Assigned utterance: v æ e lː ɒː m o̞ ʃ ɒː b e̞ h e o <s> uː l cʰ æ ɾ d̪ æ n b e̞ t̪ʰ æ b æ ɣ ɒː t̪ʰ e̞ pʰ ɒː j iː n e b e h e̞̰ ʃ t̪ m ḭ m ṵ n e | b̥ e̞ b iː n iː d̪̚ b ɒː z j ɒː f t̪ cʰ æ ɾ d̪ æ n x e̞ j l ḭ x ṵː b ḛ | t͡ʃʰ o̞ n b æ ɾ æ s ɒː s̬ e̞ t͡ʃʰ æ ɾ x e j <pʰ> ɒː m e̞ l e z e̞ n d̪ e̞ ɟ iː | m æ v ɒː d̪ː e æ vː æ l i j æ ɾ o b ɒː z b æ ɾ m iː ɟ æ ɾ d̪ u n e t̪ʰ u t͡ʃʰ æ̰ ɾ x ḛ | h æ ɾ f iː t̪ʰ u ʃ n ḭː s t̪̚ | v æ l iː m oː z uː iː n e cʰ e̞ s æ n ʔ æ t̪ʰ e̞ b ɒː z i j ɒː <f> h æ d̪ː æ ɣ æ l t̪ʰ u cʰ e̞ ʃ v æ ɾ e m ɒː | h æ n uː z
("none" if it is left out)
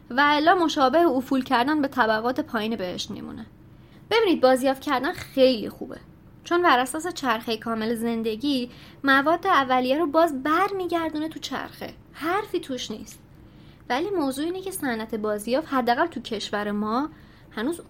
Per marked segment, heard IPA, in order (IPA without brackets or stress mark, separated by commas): f, kʰ, f